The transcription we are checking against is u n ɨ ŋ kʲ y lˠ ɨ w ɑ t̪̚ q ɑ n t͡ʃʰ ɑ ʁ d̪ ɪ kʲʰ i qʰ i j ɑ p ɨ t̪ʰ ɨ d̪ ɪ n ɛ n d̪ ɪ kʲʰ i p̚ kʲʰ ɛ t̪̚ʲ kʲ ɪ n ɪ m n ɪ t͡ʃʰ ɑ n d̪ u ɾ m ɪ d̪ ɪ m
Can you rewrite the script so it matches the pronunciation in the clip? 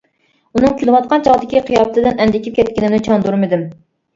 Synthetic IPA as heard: u n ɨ ŋ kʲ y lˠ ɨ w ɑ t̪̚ q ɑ n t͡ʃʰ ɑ ʁ d̪ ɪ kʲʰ i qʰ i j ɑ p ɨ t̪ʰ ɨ d̪ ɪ n ɛ n d̪ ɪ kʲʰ i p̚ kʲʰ ɛ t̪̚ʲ kʲ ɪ n ɪ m n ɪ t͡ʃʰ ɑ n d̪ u ɾ m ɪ d̪ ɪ m